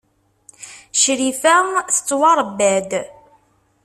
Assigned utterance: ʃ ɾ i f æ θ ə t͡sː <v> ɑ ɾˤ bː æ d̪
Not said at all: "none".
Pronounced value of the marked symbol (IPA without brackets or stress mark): w